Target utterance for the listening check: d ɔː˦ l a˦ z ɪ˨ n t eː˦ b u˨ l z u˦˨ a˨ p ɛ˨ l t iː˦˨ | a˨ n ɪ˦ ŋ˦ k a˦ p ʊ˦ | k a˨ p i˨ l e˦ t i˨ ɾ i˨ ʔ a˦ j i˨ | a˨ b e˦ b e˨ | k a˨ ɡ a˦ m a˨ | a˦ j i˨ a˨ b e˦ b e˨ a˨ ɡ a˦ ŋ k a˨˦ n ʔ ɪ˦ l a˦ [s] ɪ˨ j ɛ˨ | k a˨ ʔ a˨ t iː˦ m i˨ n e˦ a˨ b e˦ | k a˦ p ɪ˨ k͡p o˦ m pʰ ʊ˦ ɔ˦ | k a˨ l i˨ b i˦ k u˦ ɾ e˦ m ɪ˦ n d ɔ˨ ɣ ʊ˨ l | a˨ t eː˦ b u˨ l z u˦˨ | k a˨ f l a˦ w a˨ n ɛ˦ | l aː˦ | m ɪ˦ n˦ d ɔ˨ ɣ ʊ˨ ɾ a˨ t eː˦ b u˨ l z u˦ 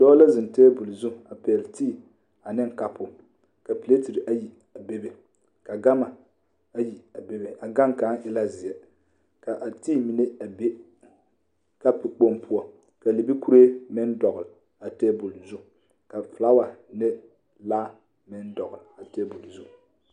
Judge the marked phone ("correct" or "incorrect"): incorrect